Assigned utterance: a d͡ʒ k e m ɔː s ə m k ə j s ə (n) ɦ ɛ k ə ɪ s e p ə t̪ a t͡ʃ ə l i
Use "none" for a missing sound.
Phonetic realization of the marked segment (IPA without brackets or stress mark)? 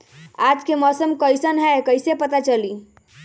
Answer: n